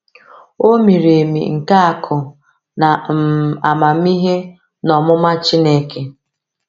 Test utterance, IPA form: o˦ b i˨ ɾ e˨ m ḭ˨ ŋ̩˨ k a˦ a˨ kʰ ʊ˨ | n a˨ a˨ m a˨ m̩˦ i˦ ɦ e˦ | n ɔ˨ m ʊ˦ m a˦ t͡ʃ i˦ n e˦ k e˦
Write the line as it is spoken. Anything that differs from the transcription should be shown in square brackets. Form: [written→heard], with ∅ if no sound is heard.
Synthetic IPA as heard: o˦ [b→m] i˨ ɾ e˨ m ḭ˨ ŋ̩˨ k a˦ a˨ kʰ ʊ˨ | n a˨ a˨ m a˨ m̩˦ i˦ ɦ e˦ | n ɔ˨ m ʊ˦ m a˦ t͡ʃ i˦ n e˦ k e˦